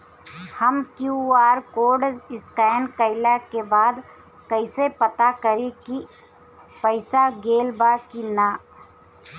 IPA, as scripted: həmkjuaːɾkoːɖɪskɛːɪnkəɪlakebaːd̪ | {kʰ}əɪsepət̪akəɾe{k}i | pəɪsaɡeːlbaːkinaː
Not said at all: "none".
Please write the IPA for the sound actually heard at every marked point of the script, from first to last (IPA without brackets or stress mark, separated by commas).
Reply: k, k